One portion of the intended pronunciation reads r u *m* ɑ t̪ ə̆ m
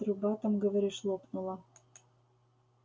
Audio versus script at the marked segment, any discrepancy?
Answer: yes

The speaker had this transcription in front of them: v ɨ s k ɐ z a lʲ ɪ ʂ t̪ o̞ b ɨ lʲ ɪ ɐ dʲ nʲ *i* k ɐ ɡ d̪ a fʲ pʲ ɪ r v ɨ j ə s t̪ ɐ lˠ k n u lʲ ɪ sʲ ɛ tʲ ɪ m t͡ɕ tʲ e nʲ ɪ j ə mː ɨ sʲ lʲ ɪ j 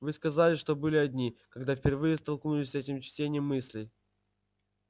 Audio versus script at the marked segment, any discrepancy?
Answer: no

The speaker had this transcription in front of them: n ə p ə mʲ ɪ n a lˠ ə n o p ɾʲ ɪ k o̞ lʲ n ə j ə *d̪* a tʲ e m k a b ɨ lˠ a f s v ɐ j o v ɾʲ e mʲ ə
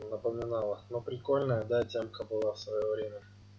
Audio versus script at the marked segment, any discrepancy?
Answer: no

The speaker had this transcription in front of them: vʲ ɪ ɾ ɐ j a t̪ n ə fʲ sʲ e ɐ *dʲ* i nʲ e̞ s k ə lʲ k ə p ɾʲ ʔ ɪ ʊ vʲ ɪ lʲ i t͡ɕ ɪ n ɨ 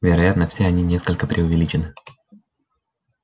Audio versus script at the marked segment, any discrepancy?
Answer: yes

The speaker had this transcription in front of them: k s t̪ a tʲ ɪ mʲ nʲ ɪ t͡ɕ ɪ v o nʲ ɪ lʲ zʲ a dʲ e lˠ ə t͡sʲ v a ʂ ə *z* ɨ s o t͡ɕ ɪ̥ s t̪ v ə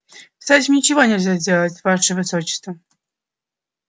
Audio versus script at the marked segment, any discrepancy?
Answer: yes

